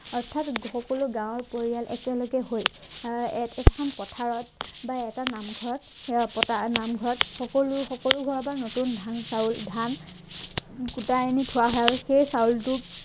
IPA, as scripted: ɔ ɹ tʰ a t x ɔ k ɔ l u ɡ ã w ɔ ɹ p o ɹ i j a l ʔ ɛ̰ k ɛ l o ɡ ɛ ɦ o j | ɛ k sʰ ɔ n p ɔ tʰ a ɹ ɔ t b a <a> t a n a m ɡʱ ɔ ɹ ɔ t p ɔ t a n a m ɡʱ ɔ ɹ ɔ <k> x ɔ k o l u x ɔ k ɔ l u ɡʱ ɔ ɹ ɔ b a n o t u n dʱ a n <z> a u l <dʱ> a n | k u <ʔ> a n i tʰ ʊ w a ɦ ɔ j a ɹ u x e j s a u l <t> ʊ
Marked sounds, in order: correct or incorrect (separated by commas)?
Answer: incorrect, incorrect, incorrect, correct, incorrect, correct